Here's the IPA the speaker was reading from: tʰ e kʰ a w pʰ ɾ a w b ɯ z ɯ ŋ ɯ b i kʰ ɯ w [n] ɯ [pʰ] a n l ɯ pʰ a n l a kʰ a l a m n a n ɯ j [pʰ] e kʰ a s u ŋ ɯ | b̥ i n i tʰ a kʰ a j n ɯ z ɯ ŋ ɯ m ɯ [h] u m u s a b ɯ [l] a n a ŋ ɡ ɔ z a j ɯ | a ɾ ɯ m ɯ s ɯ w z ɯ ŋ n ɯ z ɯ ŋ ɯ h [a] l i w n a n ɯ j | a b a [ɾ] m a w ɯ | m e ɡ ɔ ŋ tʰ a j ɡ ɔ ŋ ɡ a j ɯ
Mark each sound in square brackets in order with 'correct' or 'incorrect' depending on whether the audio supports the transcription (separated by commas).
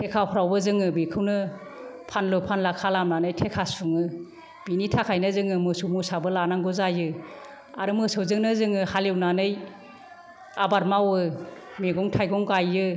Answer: correct, correct, incorrect, incorrect, correct, correct, correct